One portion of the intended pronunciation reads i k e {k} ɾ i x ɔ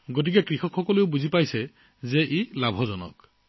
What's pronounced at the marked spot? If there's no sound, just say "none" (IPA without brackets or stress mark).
k